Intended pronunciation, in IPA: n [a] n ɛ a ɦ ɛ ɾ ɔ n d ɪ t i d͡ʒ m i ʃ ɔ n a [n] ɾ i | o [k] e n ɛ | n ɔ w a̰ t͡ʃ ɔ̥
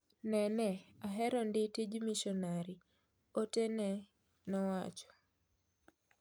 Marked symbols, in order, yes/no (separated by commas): no, no, no